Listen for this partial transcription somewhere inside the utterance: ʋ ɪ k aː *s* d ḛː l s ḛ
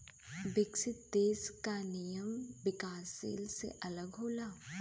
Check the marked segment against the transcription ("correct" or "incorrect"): correct